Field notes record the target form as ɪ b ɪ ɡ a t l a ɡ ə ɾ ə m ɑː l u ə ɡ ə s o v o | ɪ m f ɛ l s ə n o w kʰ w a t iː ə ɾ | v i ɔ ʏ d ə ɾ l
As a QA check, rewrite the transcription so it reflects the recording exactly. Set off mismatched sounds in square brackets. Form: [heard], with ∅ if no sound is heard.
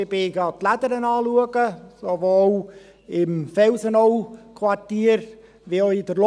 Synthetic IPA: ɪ b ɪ ɡ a t l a [d] ə ɾ ə [n] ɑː l u ə ɡ ə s o v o | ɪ m f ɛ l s ə n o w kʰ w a t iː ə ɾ | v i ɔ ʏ d ə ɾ l